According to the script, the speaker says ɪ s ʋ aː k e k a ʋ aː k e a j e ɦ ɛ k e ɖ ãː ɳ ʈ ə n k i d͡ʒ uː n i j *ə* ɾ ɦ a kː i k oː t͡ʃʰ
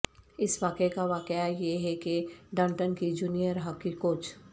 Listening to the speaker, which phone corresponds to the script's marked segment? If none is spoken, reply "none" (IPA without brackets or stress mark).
ə